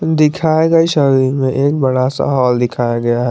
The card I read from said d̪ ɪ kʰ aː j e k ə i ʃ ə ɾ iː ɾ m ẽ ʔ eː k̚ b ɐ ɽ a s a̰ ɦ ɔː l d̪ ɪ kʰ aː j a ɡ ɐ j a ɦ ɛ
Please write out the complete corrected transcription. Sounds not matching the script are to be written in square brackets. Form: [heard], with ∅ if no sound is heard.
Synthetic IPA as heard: d̪ ɪ kʰ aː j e [ɡ] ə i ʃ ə ɾ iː ɾ m ẽ ʔ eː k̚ b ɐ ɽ a s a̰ ɦ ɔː l d̪ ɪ kʰ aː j a ɡ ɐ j a ɦ ɛ